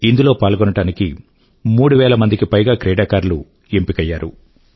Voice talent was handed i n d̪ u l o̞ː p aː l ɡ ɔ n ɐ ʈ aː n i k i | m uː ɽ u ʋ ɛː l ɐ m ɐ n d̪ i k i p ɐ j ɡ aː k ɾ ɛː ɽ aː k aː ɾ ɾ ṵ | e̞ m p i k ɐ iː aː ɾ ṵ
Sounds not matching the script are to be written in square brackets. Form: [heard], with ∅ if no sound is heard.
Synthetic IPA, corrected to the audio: i n d̪ u l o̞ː p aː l ɡ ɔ n ɐ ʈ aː n i k i | m uː ɽ u ʋ ɛː l ɐ m ɐ n d̪ i k i p ɐ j ɡ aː k ɾ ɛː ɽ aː k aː ɾ [l] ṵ | e̞ m p i k ɐ [jː] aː ɾ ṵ

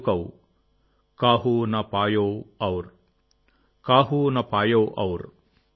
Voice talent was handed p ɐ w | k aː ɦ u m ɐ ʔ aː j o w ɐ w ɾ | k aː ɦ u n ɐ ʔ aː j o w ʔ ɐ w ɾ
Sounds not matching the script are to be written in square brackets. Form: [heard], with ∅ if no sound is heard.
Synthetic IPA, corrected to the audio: [k] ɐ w | k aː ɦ u [n] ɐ [p] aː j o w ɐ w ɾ | k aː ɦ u n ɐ [p] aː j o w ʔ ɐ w ɾ

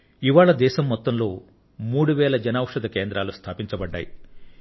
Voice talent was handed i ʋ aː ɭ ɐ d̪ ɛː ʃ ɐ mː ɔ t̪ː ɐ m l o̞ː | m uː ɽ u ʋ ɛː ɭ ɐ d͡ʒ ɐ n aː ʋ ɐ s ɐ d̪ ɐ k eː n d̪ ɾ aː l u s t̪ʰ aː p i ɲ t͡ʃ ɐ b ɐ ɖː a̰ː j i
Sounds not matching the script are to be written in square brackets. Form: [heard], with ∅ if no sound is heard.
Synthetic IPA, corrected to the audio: i ʋ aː ɭ ɐ d̪ ɛː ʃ ɐ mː ɔ t̪ː ɐ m l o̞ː | m uː ɽ u ʋ ɛː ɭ ɐ d͡ʒ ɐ n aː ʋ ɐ [ʂ] ɐ d̪ ɐ k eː n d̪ ɾ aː l u s t̪ʰ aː p i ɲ t͡ʃ ɐ b ɐ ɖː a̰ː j i

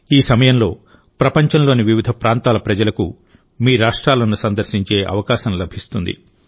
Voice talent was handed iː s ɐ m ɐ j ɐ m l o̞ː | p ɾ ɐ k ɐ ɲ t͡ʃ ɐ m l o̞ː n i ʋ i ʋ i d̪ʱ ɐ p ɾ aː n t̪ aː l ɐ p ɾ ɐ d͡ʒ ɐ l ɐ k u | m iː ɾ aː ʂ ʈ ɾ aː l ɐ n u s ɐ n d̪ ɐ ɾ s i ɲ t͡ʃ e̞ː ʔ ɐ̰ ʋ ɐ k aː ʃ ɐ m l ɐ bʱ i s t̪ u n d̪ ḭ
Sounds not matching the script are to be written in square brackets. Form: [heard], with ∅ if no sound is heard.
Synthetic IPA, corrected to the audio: iː s ɐ m ɐ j ɐ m l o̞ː | p ɾ ɐ [p] ɐ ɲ t͡ʃ ɐ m l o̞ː n i ʋ i ʋ i d̪ʱ ɐ p ɾ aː n t̪ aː l ɐ p ɾ ɐ d͡ʒ ɐ l ɐ k u | m iː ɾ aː ʂ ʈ ɾ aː l ɐ n u s ɐ n d̪ ɐ ɾ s i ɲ t͡ʃ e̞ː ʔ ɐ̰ ʋ ɐ k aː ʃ ɐ m l ɐ bʱ i s t̪ u n d̪ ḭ

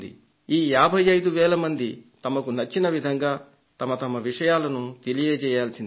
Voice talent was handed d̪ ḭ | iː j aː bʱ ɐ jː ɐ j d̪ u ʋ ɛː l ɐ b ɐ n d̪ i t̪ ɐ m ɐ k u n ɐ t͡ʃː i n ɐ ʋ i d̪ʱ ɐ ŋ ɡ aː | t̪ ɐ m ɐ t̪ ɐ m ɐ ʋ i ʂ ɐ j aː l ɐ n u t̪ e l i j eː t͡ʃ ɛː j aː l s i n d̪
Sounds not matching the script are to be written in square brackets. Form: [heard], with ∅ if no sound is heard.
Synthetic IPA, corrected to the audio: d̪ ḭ | iː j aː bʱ ɐ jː ɐ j d̪ u ʋ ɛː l ɐ [m] ɐ n d̪ i t̪ ɐ m ɐ k u n ɐ t͡ʃː i n ɐ ʋ i d̪ʱ ɐ ŋ ɡ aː | t̪ ɐ m ɐ t̪ ɐ m ɐ ʋ i ʂ ɐ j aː l ɐ n u t̪ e l i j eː t͡ʃ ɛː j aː l s i n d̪

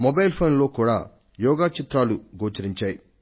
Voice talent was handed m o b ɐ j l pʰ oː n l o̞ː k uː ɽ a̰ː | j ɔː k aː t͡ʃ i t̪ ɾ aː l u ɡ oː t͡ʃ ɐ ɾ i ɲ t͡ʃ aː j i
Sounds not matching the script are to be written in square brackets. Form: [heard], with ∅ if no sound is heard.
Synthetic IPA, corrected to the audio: m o b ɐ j l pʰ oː n l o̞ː k uː ɽ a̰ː | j ɔː [ɡ] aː t͡ʃ i t̪ ɾ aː l u ɡ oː t͡ʃ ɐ ɾ i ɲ t͡ʃ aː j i

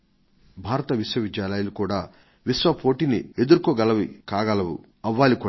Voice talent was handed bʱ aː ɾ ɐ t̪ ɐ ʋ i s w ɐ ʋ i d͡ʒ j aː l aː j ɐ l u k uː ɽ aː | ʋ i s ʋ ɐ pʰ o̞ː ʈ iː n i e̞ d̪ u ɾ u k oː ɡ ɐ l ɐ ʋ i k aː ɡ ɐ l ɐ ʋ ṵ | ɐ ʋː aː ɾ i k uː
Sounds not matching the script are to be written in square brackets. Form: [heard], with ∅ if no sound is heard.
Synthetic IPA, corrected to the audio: bʱ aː ɾ ɐ t̪ ɐ ʋ i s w ɐ ʋ i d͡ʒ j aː l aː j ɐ l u k uː ɽ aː | ʋ i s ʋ ɐ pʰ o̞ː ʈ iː n i e̞ d̪ u ɾ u k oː ɡ ɐ l ɐ ʋ i k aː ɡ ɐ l ɐ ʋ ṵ | ɐ ʋː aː [l] i k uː

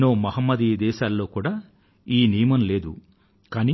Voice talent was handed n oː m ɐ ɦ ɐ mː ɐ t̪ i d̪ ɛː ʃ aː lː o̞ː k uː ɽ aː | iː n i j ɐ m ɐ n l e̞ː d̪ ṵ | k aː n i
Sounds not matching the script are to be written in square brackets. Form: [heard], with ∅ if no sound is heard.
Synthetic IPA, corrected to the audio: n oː m ɐ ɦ ɐ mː ɐ [d̪] i d̪ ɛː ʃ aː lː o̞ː k uː ɽ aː | iː n i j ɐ m ɐ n l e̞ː d̪ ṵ | k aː n i

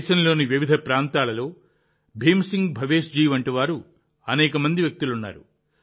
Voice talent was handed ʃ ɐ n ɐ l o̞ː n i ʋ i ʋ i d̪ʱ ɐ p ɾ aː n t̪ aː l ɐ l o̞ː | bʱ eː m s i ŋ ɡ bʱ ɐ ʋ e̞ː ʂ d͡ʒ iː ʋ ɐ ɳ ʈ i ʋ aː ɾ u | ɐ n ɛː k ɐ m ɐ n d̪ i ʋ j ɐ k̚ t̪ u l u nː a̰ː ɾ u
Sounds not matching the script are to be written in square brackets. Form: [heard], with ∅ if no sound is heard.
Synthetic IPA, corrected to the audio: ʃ ɐ n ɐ l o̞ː n i ʋ i ʋ i d̪ʱ ɐ p ɾ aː n t̪ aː l ɐ l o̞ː | bʱ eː m s i ŋ ɡ bʱ ɐ ʋ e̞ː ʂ d͡ʒ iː ʋ ɐ ɳ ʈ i ʋ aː ɾ u | ɐ n ɛː k ɐ m ɐ n d̪ i ʋ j ɐ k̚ t̪ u l u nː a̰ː ɾ u

